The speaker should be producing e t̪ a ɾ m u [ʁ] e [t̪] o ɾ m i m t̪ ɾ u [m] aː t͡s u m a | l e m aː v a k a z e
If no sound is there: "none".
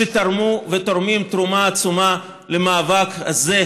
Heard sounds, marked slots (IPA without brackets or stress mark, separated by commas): v, t̪, m